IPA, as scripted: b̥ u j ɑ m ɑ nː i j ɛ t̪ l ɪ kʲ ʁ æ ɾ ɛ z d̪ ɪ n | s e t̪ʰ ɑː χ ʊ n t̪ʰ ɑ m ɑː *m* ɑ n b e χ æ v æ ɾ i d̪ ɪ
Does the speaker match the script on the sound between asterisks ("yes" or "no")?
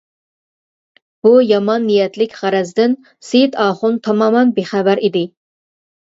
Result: yes